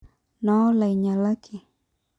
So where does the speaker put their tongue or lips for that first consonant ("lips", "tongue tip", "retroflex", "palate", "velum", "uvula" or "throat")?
tongue tip